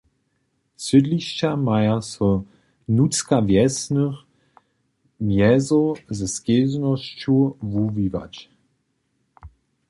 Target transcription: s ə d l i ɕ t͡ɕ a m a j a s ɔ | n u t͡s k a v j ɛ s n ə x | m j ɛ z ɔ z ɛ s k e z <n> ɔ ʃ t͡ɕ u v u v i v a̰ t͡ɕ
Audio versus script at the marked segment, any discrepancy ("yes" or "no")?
no